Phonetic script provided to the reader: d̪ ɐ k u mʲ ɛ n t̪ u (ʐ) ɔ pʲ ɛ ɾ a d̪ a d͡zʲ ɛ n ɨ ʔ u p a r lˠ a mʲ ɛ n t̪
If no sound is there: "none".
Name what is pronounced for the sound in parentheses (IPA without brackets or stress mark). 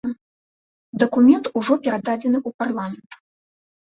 ʐ